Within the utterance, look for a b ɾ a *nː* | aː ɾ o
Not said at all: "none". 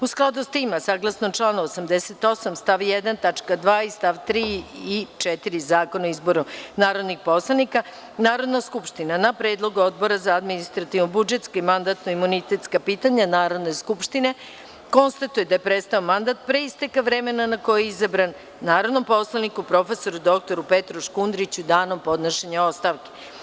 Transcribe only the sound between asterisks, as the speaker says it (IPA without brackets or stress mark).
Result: nː